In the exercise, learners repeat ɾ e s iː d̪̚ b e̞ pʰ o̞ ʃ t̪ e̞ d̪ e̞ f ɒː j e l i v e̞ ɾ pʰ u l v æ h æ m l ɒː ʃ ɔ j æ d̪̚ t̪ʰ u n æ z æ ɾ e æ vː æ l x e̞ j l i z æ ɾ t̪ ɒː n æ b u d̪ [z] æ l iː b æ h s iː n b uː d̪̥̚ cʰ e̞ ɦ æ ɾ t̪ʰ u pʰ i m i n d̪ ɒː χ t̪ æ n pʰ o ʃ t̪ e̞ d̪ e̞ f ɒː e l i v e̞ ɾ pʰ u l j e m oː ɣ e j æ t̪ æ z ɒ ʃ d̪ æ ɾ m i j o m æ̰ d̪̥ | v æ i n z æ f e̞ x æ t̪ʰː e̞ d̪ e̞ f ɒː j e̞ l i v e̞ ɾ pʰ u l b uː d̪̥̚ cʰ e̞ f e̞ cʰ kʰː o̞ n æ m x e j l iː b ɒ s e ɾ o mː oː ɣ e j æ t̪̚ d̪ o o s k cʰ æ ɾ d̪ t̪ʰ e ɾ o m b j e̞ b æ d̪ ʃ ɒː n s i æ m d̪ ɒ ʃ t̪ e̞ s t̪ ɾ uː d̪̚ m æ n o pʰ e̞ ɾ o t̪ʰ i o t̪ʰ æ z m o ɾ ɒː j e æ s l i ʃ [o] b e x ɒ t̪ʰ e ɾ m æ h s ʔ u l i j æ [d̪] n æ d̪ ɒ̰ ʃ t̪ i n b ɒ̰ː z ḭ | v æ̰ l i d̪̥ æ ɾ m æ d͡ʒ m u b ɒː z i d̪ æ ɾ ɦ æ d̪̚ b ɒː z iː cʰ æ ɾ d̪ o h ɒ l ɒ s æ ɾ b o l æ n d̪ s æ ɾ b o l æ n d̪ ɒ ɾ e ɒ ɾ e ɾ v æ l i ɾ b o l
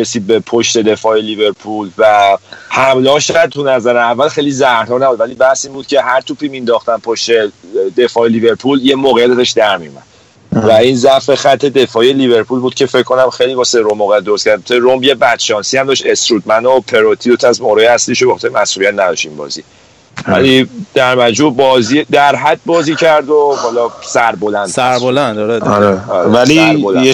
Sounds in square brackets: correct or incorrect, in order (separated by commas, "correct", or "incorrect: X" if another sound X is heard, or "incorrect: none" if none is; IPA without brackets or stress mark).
incorrect: v, correct, incorrect: t̪